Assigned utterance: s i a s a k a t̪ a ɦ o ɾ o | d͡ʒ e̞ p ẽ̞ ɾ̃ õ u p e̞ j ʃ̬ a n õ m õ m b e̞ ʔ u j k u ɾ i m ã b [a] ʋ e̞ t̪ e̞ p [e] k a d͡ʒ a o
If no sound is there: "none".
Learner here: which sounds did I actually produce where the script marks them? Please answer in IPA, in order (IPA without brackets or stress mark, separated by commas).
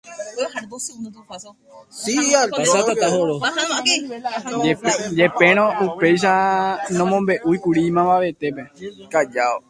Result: a, e